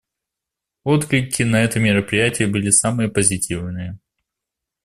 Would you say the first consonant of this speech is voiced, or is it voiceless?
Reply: voiceless